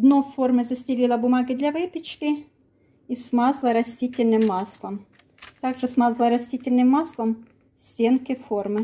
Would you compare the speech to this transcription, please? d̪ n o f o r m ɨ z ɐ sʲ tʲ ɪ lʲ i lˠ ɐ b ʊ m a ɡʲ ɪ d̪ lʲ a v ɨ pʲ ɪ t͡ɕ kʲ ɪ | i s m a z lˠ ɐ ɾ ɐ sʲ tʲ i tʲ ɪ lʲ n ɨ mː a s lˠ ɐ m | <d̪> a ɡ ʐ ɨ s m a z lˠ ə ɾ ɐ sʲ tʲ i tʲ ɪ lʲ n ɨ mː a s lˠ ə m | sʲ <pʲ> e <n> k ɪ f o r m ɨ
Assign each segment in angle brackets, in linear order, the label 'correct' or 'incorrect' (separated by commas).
incorrect, incorrect, correct